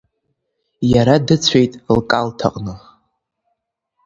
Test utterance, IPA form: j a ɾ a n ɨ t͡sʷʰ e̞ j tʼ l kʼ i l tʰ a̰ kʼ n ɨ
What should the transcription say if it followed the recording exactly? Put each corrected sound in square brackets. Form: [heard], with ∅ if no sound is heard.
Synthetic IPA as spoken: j a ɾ a [d] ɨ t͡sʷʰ e̞ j tʼ l kʼ [a] l tʰ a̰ [qʼ] n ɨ